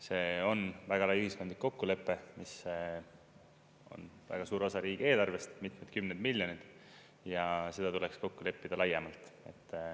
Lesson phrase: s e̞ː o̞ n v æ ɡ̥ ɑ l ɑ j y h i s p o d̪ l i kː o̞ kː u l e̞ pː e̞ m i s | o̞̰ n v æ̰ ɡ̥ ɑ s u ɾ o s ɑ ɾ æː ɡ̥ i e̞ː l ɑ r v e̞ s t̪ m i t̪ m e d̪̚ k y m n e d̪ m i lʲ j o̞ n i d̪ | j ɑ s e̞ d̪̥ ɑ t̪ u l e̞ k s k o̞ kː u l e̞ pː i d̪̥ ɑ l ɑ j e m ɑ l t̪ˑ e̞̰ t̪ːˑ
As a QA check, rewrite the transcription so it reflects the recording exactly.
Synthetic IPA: s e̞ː o̞ n v æ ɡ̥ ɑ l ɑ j y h i s k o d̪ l i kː o̞ kː u l e̞ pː e̞ m i s | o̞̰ n v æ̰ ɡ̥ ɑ s uː ɾ o s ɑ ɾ iː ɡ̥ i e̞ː l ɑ r v e̞ s t̪ m i t̪ m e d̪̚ k y m n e d̪ m i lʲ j o̞ n i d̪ | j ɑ s e̞ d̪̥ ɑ t̪ u l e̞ k s k o̞ kː u l e̞ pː i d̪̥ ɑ l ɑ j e m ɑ l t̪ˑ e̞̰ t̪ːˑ